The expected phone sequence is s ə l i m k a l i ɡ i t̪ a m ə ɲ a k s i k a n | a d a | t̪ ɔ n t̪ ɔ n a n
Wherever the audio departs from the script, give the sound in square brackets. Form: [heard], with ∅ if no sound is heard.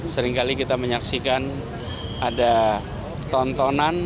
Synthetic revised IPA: s ə [ɾ] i [ŋ] k a l i [k] i t̪ a m ə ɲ a k s i k a n | a d a | t̪ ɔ n t̪ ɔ n a n